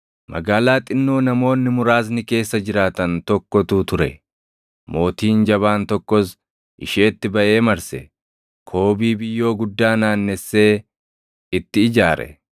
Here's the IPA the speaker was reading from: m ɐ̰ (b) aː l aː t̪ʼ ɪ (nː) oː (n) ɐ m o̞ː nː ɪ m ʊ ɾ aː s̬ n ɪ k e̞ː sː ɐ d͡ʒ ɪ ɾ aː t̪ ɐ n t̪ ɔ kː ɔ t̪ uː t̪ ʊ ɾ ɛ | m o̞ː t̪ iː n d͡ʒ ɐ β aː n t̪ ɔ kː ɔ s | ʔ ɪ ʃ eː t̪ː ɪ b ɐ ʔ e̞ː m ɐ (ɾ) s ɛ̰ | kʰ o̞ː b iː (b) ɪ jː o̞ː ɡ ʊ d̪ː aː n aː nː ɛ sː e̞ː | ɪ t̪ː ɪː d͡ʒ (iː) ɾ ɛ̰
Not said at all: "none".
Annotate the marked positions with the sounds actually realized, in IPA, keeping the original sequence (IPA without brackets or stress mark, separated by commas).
ɡ, nː, n, ɾ, b, aː